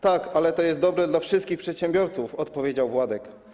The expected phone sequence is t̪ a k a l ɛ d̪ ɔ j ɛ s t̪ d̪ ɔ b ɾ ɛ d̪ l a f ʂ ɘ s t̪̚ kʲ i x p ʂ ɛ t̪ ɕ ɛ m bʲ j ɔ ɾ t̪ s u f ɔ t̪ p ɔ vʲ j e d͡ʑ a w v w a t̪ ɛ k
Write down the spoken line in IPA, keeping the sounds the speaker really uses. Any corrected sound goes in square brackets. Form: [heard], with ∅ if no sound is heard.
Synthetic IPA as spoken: t̪ a k a l ɛ [t̪] ɔ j ɛ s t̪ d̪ ɔ b ɾ ɛ d̪ l a f ʂ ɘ s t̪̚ kʲ i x p ʂ ɛ t̪ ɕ ɛ m bʲ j ɔ ɾ t̪ s u f ɔ t̪ p ɔ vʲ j e d͡ʑ a w v w a [d̪] ɛ k

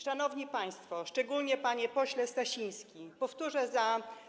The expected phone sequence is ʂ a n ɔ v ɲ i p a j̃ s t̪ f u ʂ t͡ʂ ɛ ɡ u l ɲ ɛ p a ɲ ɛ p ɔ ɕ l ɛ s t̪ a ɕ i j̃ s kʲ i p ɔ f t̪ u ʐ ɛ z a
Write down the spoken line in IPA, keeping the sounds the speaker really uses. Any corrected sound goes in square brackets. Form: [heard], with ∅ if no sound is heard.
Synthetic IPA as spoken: ʂ a n ɔ v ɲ i p a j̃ s t̪ f [ɔ] ʂ t͡ʂ ɛ ɡ u l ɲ ɛ p a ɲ ɛ p ɔ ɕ l ɛ s t̪ a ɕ i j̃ s kʲ i p ɔ f t̪ u ʐ ɛ z a

